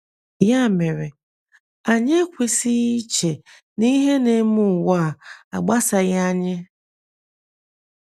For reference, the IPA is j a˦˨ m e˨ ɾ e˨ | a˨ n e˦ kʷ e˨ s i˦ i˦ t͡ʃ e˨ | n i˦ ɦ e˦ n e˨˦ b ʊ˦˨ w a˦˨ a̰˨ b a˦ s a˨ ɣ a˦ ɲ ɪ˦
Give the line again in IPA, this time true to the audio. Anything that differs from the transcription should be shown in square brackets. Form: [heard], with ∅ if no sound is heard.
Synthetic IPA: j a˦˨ m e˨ ɾ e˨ | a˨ [ɲ] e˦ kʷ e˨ s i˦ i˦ t͡ʃ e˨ | n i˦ ɦ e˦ n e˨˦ [m] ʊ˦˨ w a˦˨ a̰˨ [ɡ͡b] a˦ s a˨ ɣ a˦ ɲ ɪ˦